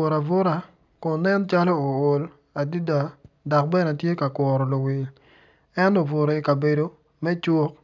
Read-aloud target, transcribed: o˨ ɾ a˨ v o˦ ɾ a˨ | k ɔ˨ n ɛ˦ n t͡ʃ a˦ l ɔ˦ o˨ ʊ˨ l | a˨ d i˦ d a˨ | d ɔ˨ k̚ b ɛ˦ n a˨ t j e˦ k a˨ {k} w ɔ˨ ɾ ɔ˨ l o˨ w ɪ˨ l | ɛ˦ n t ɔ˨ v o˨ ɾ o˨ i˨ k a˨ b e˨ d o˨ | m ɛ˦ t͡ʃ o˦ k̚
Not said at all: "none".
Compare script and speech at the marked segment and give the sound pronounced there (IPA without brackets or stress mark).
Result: k